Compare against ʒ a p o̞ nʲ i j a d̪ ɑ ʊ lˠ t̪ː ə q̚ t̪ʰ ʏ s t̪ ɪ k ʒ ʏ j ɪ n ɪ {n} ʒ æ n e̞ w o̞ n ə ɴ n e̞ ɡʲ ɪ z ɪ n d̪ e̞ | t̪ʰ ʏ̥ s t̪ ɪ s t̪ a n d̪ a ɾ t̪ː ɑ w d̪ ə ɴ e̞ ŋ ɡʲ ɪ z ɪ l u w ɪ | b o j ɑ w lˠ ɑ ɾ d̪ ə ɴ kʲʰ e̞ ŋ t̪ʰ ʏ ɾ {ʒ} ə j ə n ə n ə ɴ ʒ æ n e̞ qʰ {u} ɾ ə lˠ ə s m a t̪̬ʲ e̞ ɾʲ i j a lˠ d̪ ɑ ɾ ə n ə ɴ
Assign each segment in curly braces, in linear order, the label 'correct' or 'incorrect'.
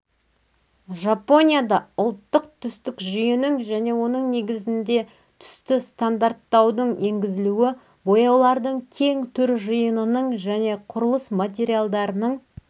incorrect: ŋ, correct, incorrect: ʊ

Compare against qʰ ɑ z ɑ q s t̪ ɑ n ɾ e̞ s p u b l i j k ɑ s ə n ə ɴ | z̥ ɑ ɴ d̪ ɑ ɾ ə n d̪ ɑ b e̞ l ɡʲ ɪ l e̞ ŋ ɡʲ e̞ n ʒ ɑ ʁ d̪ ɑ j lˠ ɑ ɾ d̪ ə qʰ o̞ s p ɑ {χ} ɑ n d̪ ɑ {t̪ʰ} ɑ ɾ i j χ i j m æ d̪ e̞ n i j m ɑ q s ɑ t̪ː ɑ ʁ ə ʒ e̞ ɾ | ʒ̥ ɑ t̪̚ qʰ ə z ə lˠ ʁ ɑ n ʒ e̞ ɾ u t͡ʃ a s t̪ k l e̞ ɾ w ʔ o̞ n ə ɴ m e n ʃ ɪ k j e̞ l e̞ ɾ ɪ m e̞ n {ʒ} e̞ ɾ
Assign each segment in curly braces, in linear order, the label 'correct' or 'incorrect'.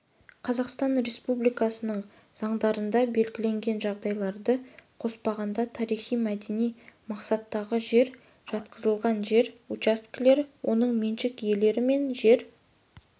incorrect: ʁ, correct, correct

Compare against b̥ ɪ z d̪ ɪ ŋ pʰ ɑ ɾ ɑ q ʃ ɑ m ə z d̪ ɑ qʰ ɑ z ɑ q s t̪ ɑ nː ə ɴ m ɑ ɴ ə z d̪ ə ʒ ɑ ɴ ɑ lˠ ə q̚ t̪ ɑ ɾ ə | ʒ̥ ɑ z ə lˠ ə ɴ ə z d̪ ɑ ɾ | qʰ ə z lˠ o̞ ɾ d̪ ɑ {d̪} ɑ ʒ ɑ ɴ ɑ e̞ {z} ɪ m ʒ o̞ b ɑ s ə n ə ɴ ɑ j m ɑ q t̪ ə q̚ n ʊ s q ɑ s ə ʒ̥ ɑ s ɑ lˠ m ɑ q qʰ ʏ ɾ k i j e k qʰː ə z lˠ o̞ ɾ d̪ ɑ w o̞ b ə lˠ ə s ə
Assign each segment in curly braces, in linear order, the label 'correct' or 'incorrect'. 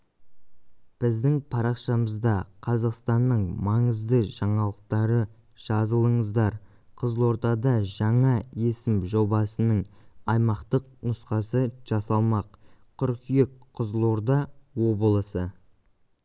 correct, incorrect: s

